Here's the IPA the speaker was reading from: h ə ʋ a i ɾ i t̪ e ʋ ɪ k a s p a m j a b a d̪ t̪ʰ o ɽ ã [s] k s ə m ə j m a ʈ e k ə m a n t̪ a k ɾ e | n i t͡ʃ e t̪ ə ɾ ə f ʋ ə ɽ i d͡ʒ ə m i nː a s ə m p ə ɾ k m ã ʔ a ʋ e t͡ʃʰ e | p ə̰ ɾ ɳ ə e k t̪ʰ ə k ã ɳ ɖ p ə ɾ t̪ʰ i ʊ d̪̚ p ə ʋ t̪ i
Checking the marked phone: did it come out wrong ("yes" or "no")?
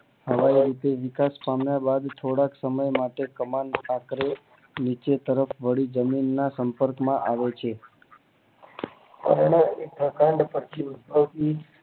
yes